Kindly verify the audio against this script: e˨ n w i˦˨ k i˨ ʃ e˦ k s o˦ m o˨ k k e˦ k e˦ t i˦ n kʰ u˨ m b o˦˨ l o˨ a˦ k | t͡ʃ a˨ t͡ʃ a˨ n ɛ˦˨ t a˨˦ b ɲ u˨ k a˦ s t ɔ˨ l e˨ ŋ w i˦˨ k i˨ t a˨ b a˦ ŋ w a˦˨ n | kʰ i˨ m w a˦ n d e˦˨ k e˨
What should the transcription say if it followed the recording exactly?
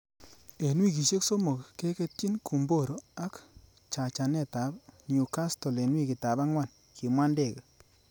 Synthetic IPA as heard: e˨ n w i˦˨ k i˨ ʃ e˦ k s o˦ m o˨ k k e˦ k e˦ t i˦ n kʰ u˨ m b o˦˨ ɾ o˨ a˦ k | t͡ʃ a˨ t͡ʃ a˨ n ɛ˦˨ t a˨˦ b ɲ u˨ k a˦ s t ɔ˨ l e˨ n w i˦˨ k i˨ t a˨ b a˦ ŋ w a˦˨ n | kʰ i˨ m w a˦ n d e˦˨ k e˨